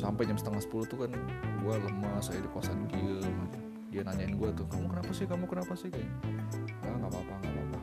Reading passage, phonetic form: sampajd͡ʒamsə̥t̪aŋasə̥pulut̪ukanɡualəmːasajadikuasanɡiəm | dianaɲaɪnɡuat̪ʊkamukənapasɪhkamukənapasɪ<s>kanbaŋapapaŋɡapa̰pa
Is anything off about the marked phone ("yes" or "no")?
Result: yes